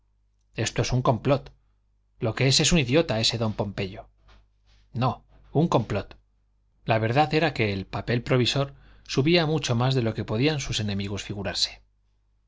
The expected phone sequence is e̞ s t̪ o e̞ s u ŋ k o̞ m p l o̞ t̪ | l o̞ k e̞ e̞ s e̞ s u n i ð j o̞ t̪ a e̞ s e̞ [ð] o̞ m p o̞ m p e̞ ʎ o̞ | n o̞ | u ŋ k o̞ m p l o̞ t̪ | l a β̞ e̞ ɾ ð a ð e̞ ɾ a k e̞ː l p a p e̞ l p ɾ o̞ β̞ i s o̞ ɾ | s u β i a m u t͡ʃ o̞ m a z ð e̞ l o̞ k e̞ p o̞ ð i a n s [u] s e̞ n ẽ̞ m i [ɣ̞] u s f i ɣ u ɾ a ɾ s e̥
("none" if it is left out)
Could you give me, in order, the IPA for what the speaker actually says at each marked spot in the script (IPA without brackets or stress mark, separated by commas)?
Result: ð, u, ɣ̞